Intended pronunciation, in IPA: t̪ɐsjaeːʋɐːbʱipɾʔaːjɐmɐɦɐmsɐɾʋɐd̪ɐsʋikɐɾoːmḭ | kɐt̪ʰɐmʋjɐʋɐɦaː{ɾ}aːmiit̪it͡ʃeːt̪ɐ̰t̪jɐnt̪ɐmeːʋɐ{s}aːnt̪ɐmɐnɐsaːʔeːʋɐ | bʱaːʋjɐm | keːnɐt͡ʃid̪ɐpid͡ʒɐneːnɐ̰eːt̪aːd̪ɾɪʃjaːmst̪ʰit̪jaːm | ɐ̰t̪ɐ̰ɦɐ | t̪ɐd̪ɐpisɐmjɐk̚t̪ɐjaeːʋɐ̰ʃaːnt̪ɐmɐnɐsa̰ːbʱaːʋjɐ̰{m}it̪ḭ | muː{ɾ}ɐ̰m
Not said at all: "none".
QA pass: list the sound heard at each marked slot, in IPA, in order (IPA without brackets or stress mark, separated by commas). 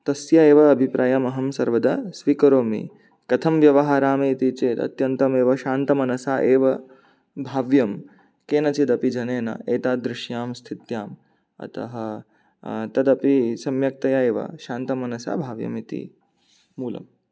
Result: ɾ, ʃ, m, l